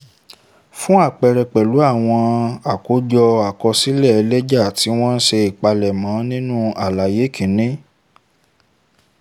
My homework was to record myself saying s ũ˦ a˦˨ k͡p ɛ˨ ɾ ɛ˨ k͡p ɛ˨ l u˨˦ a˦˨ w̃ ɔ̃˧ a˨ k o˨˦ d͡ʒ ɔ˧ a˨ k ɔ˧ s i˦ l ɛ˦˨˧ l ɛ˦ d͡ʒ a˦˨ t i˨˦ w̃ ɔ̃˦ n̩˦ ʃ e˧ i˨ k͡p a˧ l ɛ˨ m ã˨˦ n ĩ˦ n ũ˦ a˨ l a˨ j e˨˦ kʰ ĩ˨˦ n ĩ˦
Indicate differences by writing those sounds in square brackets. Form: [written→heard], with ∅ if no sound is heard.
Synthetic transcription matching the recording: [s→f] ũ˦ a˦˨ k͡p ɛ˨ ɾ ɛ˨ k͡p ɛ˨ l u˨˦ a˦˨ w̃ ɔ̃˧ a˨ k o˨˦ d͡ʒ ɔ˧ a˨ k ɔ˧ s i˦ l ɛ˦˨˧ l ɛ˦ d͡ʒ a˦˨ t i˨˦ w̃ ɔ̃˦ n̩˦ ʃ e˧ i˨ k͡p a˧ l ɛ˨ m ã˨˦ n ĩ˦ n ũ˦ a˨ l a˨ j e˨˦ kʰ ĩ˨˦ n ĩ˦